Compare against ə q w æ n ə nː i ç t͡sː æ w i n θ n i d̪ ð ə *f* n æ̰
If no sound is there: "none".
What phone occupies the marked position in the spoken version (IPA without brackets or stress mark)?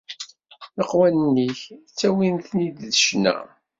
ʃ